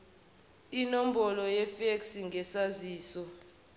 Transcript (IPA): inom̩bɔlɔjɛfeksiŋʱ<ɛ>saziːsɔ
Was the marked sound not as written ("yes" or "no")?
no